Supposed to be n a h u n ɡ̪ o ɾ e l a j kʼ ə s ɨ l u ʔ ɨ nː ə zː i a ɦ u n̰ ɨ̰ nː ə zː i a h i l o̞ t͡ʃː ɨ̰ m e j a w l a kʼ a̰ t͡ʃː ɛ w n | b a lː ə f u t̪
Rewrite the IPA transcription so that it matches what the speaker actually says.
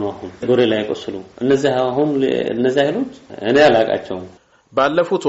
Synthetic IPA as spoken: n a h u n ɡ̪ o ɾ e l a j kʼ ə s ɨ l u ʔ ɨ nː ə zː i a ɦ u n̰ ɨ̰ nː ə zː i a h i l o̞ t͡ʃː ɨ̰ n e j a l a kʼ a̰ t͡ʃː ɛ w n | b a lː ə f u t̪